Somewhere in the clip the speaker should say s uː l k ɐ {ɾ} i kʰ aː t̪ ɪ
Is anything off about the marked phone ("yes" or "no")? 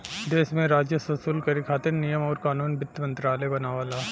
no